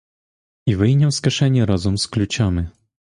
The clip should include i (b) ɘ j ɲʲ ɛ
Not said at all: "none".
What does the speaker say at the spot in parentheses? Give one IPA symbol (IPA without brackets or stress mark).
v